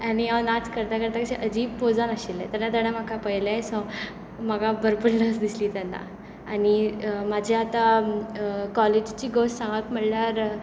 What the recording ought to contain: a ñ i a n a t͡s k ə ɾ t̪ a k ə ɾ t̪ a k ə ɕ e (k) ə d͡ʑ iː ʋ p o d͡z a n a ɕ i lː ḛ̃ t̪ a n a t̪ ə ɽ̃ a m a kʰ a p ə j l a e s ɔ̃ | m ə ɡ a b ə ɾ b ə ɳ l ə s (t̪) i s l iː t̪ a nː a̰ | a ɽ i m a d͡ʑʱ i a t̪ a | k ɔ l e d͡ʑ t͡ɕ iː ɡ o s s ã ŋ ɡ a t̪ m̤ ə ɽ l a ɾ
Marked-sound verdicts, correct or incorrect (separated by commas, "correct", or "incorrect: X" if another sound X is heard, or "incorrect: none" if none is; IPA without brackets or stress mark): incorrect: ʔ, incorrect: d̪